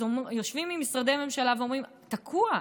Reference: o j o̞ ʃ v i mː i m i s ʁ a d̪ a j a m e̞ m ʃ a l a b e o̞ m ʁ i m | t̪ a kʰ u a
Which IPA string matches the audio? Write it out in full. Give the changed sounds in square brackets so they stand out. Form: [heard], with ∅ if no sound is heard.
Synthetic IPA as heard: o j o̞ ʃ v i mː i m i s ʁ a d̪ [e] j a m e̞ m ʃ a l a [v] e o̞ m ʁ i m | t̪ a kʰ u a